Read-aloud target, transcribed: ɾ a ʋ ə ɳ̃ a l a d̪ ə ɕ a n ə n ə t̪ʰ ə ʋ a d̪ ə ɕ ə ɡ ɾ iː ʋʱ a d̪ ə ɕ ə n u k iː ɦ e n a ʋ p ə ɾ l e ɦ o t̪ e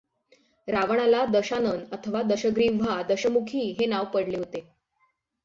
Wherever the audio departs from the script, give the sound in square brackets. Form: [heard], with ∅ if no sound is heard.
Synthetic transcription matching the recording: ɾ a ʋ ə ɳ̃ a l a d̪ ə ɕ a n ə n ə t̪ʰ ə ʋ a d̪ ə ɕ ə ɡ ɾ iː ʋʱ a d̪ ə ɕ ə [m] u [kʰ] iː ɦ e n a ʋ p ə [ɽ] l e ɦ o t̪ e

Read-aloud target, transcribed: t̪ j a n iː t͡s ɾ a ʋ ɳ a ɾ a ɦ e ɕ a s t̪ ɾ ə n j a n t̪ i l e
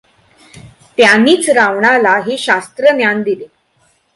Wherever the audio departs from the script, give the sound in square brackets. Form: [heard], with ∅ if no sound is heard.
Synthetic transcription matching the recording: t̪ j a n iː t͡s ɾ a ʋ ɳ a [l] a ɦ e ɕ a s t̪ ɾ ə n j a n [d̪] i l e

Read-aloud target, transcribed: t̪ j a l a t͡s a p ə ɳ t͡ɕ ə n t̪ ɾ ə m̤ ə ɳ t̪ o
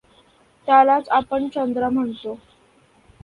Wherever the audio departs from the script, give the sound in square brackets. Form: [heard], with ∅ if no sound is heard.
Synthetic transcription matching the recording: t̪ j a l a t͡s a p ə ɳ t͡ɕ ə n [d̪] ɾ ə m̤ ə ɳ t̪ o

